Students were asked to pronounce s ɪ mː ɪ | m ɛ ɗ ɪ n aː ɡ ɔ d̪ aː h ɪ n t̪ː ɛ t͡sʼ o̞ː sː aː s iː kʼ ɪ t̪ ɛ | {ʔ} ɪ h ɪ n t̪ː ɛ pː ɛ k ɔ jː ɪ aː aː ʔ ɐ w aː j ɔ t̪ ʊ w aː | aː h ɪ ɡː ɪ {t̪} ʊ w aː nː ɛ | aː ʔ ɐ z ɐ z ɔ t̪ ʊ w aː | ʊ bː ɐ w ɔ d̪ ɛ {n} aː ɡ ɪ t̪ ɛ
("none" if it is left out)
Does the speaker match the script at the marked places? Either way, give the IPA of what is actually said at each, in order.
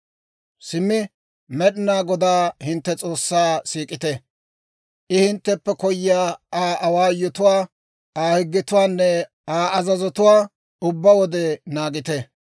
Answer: ʔ, t̪, n

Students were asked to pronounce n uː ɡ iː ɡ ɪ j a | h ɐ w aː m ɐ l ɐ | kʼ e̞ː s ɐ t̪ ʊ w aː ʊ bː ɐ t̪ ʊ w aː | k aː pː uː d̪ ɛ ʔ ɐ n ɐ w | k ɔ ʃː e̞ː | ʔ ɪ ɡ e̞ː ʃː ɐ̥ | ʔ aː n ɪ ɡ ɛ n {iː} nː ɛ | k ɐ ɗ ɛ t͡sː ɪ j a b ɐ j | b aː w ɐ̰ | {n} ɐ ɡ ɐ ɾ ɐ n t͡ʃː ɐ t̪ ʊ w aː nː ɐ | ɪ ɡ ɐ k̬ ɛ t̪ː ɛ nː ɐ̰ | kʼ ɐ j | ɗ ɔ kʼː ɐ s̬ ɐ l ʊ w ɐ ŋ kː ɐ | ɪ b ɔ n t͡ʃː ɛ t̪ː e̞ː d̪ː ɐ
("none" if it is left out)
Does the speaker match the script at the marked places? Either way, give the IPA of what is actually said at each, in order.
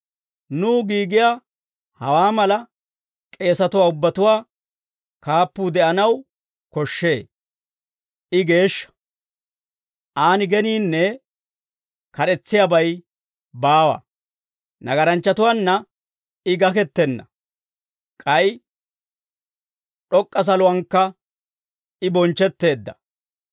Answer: iː, n

